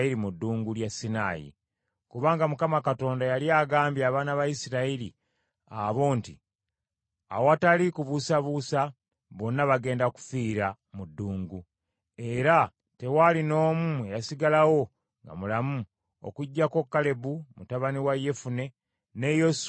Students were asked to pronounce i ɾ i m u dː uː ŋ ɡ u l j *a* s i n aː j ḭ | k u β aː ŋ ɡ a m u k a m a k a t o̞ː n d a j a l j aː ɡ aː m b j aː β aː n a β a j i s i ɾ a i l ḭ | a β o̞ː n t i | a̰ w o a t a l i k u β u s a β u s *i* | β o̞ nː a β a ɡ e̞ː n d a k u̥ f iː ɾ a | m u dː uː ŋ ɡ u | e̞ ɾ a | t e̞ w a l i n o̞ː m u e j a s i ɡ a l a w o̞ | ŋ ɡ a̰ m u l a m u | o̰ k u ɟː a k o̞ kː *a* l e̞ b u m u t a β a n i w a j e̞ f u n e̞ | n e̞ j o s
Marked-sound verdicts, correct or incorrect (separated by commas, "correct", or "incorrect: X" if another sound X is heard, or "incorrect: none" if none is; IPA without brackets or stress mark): correct, incorrect: a, correct